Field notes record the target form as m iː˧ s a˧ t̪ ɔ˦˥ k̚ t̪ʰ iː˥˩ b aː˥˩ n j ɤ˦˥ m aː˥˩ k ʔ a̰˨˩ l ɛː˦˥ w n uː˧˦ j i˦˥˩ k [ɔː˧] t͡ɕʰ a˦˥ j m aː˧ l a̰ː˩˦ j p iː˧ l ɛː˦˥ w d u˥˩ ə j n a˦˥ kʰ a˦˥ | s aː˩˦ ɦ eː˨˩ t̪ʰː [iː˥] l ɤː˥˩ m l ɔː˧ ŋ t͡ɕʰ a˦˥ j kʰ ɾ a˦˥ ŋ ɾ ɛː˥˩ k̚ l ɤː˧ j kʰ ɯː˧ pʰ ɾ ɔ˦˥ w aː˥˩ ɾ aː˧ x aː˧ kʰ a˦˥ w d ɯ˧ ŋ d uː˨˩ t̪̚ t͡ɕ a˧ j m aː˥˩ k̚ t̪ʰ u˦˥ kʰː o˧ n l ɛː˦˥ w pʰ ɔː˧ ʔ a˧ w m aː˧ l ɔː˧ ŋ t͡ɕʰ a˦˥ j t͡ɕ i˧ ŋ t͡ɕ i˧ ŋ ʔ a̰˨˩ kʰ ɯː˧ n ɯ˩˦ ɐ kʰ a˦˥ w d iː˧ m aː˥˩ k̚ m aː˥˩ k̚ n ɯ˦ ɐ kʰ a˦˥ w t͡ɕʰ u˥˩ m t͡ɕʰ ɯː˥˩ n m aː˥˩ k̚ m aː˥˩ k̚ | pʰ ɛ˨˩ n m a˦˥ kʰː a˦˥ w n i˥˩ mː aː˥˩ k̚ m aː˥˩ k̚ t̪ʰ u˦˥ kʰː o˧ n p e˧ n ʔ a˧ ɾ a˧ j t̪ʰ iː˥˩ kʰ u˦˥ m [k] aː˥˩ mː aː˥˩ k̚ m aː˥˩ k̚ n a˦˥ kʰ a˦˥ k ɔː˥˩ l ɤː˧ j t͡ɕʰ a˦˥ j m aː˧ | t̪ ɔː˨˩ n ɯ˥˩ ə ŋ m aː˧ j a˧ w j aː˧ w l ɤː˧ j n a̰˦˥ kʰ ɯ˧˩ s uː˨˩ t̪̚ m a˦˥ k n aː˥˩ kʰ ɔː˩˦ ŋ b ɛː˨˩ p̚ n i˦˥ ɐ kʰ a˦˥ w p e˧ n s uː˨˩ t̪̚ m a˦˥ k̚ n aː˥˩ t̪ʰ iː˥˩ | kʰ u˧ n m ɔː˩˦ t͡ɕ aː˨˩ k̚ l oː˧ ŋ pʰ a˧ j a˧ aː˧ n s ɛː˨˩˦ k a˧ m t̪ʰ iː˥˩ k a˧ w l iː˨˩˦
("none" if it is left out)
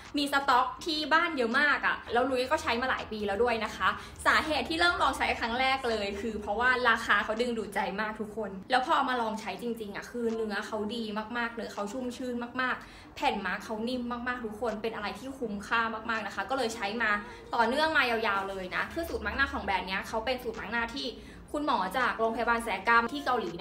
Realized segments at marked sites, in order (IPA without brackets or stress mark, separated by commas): ɔː˥˩, iː˥, kʰ